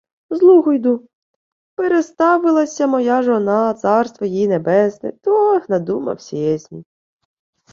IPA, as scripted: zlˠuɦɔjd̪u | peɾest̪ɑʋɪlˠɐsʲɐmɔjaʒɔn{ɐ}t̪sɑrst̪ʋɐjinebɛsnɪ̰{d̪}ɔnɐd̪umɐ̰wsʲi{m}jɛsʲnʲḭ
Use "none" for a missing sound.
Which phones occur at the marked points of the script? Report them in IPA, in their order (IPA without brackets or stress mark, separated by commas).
ɑ, t̪, none